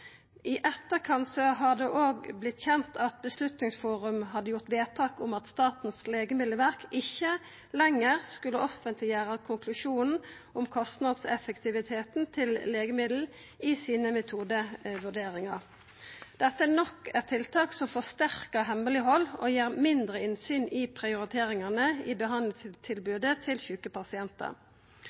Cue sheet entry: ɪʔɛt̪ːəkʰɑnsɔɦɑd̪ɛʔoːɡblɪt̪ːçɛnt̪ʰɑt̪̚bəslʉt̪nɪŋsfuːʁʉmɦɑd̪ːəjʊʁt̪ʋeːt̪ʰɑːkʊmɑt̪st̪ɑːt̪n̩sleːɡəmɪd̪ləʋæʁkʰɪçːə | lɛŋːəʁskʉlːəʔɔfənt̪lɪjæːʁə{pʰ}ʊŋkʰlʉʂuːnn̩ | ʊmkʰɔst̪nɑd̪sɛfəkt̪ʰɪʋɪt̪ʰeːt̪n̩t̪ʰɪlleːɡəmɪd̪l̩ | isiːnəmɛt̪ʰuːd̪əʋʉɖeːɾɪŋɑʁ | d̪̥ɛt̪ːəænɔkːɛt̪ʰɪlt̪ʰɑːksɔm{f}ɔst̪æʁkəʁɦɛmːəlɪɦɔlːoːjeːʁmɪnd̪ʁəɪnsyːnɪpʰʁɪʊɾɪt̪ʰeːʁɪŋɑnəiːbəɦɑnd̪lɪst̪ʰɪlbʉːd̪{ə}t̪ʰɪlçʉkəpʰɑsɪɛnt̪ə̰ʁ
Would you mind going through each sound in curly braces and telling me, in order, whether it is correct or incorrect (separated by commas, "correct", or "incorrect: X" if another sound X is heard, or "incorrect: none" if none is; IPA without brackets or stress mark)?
incorrect: kʰ, correct, correct